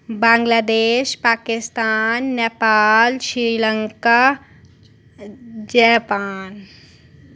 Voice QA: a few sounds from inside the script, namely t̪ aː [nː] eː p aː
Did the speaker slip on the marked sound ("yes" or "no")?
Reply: no